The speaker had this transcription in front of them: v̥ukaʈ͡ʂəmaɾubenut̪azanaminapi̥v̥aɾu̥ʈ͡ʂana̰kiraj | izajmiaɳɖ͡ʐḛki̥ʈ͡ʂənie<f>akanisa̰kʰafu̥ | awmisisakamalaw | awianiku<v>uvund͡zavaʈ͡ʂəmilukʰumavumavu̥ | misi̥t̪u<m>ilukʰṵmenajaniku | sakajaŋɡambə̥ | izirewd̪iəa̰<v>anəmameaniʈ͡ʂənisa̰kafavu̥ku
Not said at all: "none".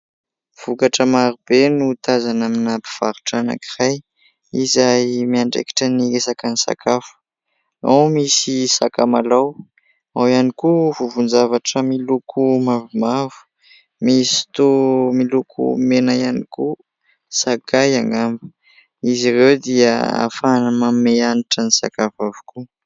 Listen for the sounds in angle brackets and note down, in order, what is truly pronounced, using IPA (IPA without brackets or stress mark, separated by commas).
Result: s, v, m, f